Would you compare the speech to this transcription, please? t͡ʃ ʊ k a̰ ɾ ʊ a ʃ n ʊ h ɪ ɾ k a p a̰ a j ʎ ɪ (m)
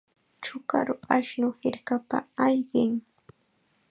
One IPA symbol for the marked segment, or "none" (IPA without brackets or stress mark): ŋ